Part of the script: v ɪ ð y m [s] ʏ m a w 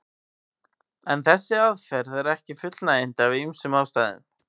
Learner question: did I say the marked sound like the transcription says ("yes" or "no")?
yes